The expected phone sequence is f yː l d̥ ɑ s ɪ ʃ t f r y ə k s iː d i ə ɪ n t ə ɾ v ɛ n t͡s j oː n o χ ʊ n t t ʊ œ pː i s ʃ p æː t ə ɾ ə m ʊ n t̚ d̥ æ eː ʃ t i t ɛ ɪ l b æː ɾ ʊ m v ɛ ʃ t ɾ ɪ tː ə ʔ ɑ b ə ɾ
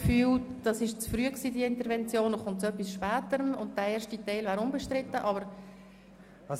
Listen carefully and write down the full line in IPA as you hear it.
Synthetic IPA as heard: f yː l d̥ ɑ s ɪ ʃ t͡s f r y ə k s iː d i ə ɪ n t ə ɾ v ɛ n t͡s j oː n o χ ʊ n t t͡s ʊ œ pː i s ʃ p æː t ə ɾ ə m ʊ n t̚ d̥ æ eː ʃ t i t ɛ ɪ l v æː ɾ ʊ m b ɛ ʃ t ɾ ɪ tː ə ʔ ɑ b ə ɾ